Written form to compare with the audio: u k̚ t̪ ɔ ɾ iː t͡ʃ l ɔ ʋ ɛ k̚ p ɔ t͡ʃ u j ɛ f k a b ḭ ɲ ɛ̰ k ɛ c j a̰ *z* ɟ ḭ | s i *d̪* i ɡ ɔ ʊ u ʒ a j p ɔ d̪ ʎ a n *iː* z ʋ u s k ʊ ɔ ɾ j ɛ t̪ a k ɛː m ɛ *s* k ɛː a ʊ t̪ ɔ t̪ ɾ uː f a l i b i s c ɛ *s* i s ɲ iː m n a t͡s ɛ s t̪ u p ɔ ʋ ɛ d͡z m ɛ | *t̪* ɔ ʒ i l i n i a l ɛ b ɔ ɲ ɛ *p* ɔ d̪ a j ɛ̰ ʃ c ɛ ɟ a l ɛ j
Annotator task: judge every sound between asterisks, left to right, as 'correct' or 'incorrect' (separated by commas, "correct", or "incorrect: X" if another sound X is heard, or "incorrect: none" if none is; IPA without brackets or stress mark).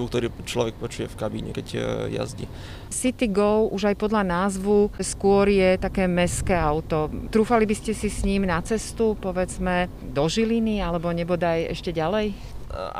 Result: correct, incorrect: t̪, incorrect: aː, correct, correct, incorrect: d̪, incorrect: b